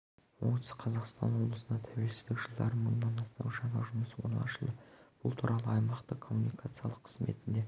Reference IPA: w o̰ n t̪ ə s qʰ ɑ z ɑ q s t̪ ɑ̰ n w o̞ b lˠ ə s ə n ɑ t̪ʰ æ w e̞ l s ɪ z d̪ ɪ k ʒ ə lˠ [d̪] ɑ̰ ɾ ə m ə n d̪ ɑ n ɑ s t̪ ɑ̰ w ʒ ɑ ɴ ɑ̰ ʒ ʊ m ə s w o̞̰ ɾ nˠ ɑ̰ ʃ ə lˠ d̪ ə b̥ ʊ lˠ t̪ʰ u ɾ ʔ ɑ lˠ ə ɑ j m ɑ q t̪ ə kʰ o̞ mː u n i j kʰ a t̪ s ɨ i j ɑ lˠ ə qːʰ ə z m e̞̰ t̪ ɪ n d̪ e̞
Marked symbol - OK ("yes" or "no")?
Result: yes